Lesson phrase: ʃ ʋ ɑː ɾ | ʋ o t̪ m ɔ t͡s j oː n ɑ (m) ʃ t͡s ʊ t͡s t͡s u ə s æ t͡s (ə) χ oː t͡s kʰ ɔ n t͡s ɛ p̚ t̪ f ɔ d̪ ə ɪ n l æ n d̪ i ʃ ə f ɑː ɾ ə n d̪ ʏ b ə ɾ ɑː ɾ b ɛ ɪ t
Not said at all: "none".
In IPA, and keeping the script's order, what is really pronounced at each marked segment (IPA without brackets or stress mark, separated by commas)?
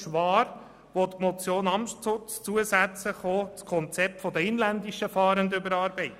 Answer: m, ə